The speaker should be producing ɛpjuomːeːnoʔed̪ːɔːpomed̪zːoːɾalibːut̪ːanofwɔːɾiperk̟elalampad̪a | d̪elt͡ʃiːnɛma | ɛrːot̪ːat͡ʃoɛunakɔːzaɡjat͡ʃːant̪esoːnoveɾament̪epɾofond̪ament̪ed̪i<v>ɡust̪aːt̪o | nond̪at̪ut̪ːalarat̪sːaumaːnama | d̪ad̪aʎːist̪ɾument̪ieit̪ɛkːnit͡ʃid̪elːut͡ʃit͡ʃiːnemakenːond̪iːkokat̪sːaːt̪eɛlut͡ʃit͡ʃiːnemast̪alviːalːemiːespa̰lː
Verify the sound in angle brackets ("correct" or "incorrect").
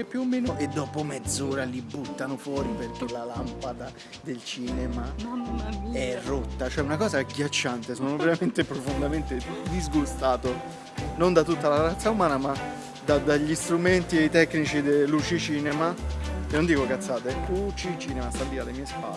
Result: incorrect